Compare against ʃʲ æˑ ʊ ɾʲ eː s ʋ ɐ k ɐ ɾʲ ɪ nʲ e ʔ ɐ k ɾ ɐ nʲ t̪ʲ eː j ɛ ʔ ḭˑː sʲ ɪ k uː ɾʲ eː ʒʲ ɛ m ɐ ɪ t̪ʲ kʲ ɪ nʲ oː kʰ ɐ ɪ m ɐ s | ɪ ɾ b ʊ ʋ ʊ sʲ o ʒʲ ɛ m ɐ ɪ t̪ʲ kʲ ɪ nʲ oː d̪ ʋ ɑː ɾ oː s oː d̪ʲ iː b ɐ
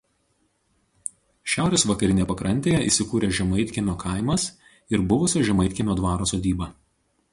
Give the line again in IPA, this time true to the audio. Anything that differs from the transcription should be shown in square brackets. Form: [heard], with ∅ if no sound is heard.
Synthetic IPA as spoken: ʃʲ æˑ ʊ ɾʲ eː s ʋ ɐ k ɐ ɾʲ ɪ nʲ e [p] ɐ k ɾ ɐ nʲ t̪ʲ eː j ɛ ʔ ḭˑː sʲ ɪ k uː ɾʲ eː ʒʲ ɛ m ɐ ɪ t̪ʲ kʲ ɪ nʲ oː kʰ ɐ ɪ m ɐ s | ɪ ɾ b ʊ ʋ ʊ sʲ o ʒʲ ɛ m ɐ ɪ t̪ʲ kʲ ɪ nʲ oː d̪ ʋ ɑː ɾ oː s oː d̪ʲ iː b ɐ